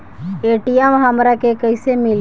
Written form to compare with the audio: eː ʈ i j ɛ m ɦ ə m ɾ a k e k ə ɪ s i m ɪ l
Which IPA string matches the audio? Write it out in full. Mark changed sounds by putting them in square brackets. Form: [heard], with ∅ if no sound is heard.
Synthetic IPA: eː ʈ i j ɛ m ɦ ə m ɾ a k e k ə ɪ s [e] m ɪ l